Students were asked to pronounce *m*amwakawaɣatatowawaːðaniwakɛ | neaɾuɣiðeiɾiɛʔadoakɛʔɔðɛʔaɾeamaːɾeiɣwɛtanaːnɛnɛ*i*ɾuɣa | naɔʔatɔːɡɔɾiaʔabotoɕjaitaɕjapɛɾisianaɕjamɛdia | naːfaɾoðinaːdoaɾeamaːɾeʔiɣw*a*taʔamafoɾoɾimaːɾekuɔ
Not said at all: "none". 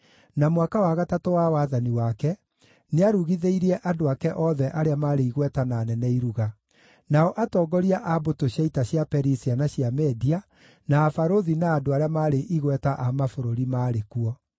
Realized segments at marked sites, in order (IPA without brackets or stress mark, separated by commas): n, i, ɛ